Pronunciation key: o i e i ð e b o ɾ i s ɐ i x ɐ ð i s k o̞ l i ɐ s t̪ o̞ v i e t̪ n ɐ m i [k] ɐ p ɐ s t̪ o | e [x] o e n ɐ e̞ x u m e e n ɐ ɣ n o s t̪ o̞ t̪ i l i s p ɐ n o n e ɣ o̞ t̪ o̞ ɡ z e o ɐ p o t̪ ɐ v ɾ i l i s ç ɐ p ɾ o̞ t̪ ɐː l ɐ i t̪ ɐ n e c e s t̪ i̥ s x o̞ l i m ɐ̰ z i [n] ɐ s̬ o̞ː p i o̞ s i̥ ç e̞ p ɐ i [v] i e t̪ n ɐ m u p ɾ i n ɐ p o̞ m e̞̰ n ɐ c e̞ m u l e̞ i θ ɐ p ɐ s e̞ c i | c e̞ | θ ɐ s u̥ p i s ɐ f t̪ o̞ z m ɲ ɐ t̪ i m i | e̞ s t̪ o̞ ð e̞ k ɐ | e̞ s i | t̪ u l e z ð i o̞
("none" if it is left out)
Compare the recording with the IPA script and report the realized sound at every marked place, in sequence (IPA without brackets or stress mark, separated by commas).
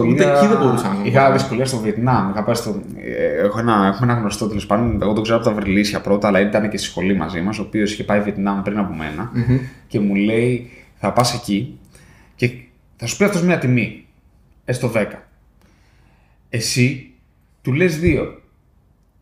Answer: x, x, m, v